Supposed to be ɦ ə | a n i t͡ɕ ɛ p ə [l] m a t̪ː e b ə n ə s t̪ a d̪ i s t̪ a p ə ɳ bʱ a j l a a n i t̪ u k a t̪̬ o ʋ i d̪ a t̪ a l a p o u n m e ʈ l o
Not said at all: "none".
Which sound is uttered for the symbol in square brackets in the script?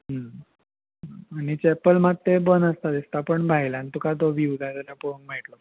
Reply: l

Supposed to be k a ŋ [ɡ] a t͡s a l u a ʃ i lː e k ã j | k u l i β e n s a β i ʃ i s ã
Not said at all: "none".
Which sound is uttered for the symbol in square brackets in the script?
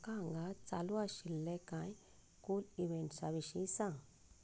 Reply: ɡ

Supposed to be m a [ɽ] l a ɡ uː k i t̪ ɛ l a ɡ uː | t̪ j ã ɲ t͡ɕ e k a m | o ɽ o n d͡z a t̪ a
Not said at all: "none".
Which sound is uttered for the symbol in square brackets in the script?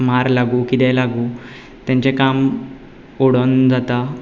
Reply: ɾ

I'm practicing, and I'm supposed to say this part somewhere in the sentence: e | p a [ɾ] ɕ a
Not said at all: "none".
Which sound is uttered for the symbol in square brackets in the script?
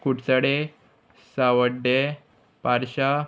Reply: ɾ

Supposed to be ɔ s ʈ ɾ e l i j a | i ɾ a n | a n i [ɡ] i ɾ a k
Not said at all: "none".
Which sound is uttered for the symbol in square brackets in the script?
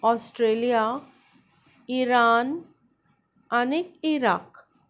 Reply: k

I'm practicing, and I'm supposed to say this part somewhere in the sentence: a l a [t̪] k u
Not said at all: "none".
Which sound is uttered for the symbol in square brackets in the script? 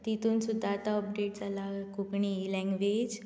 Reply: none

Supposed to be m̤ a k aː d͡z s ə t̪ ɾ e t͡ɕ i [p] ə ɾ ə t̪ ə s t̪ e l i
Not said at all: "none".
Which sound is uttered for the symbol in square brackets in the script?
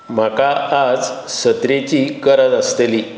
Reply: k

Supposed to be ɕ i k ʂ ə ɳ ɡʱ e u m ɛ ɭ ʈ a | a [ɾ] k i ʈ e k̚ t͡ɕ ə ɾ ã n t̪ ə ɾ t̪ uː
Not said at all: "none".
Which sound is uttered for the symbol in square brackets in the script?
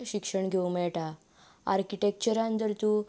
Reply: ɾ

